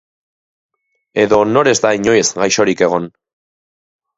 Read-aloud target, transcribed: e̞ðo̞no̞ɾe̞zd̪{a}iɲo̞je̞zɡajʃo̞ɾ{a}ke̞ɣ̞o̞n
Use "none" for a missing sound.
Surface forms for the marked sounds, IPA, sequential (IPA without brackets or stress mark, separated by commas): a, i